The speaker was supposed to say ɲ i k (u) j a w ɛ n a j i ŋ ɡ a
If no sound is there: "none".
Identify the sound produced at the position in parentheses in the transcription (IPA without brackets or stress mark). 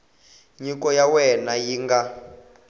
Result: ɔ